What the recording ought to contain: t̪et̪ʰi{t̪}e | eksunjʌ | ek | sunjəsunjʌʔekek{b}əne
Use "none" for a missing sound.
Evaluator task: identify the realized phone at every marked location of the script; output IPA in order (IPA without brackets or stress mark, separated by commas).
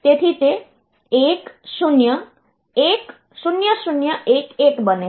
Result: t̪, b